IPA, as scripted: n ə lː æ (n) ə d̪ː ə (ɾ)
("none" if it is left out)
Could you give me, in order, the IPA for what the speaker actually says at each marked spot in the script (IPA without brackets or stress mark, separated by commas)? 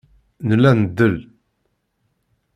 n, l